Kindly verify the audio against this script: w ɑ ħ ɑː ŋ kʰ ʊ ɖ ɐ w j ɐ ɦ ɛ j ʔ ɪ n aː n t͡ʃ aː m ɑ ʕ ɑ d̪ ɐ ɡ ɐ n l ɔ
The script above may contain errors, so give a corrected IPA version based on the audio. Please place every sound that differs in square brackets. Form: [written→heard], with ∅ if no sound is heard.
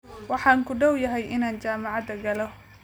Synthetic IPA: w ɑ ħ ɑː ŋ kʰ ʊ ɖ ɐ w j ɐ ɦ ɛ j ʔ ɪ n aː n t͡ʃ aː m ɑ ʕ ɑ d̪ ɐ ɡ ɐ [n→∅] l ɔ